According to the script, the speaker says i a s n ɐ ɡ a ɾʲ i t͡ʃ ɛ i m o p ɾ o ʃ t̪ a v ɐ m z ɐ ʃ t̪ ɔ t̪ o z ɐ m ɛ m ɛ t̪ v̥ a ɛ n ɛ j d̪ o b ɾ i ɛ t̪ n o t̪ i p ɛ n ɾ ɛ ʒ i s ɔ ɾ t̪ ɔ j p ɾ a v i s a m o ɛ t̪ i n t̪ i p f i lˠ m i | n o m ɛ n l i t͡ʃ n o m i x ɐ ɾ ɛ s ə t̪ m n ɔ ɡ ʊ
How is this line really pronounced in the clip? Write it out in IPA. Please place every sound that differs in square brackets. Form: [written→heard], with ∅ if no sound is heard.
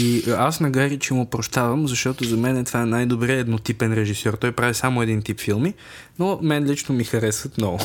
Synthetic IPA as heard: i a s n ɐ ɡ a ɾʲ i t͡ʃ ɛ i m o p ɾ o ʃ t̪ a v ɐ m z ɐ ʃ t̪ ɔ t̪ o z ɐ m ɛ [m→n] ɛ t̪ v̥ a ɛ n [ɛ→a] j d̪ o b ɾ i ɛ [t̪→d̪] n o t̪ i p ɛ n ɾ ɛ ʒ i s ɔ ɾ t̪ ɔ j p ɾ a v i s a m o ɛ [t̪→d̪] i n t̪ i p f i lˠ m i | n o m ɛ n l i t͡ʃ n o m i x ɐ ɾ ɛ s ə t̪ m n ɔ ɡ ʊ